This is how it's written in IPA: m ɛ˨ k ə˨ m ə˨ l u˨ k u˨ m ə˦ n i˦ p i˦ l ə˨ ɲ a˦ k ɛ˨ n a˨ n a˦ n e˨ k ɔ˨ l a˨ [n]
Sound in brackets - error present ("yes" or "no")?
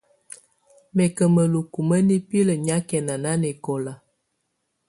yes